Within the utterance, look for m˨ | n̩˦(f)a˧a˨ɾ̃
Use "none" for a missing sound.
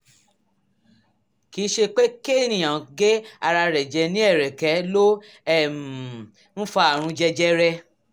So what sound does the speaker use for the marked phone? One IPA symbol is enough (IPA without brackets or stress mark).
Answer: f